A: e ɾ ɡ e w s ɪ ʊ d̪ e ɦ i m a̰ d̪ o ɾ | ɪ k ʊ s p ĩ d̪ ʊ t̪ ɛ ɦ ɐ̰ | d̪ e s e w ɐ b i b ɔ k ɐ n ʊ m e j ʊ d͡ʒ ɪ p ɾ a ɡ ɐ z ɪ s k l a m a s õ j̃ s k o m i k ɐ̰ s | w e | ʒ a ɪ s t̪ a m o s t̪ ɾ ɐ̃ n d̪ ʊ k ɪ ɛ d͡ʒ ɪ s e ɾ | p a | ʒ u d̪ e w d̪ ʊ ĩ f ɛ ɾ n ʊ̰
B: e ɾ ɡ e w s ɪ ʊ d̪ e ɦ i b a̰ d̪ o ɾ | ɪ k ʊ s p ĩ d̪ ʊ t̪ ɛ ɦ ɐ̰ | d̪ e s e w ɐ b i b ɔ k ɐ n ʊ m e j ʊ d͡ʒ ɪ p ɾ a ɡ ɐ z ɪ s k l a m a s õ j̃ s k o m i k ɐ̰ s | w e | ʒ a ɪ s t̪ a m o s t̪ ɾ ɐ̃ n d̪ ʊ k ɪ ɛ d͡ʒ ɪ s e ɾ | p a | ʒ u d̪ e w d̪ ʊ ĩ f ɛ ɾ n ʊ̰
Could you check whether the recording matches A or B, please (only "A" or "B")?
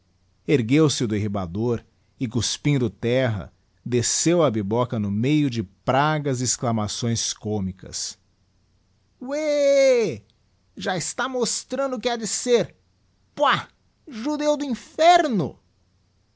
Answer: B